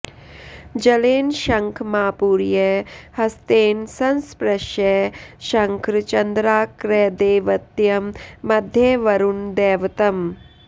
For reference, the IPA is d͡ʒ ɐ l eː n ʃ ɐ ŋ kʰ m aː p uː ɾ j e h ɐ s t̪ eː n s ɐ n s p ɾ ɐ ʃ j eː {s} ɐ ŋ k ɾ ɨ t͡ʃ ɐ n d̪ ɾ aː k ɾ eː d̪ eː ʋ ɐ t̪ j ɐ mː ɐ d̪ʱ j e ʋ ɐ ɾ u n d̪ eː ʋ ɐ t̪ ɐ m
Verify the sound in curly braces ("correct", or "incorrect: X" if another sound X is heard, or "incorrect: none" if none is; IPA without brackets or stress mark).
incorrect: ʃ